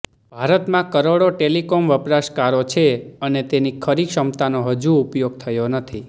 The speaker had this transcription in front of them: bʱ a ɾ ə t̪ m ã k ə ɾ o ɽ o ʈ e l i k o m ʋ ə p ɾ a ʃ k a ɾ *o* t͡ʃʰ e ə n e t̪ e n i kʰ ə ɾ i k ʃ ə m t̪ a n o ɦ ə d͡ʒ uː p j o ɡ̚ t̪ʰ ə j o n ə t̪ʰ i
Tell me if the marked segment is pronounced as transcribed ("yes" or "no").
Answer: yes